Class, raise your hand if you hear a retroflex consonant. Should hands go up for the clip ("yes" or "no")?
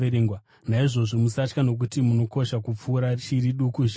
yes